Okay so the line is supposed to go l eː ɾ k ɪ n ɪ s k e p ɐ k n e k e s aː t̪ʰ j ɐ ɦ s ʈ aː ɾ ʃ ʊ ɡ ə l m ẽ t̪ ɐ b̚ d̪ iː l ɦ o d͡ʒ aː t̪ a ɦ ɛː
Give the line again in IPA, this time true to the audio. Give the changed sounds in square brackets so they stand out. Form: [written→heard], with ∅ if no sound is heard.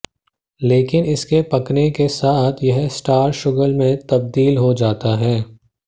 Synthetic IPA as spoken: l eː [ɾ→∅] k ɪ n ɪ s k e p ɐ k n e k e s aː t̪ʰ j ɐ ɦ s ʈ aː ɾ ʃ ʊ ɡ ə l m ẽ t̪ ɐ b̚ d̪ iː l ɦ o d͡ʒ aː t̪ a ɦ ɛː